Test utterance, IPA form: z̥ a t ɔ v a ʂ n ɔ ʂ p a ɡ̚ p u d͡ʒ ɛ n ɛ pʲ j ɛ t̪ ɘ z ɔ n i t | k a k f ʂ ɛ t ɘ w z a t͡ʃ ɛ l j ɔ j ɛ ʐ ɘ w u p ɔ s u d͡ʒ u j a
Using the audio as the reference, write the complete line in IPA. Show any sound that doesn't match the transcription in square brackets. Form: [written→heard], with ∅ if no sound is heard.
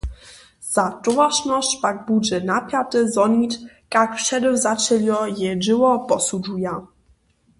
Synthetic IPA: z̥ a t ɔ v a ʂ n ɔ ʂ p a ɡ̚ [p→b] u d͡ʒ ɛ n [ɛ→a] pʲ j [ɛ→a] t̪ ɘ z ɔ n i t | k a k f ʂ ɛ [t→d] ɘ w z a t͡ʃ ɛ l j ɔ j ɛ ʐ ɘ w [u→ɔ] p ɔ s u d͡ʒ u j a